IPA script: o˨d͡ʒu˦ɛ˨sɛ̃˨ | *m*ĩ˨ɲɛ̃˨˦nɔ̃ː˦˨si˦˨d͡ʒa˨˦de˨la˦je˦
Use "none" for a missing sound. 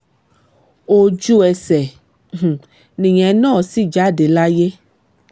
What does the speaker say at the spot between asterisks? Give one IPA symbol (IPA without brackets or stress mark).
n